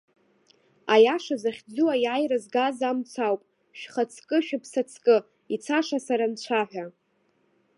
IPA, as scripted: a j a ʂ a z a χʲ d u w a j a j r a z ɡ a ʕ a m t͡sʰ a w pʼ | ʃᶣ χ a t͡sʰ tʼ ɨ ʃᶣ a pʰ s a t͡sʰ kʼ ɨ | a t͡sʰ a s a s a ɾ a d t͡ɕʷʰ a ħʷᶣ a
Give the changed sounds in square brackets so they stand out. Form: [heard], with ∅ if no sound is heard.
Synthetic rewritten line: a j a ʂ a z a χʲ [d͡z] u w a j a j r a z ɡ a [z] a m t͡sʰ a w pʼ | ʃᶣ χ a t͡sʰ [kʼ] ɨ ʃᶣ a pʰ s a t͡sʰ kʼ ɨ | [i] t͡sʰ a [ʂ] a s a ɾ a [n] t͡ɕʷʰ a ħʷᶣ a